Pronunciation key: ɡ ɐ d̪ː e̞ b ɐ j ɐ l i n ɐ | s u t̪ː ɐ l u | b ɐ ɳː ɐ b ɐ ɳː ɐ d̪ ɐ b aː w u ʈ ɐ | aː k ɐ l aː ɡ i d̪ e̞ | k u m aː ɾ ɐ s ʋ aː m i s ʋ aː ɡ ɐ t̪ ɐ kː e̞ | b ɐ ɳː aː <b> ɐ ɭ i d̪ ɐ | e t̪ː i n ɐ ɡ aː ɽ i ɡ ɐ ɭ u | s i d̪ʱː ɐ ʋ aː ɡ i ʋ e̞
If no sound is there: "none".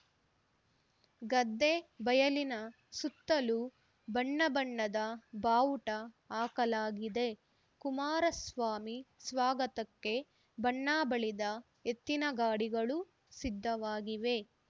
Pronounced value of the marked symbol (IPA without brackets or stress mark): b